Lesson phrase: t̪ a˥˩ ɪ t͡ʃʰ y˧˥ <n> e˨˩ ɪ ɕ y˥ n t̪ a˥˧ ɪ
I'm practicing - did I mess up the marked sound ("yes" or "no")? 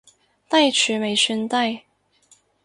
yes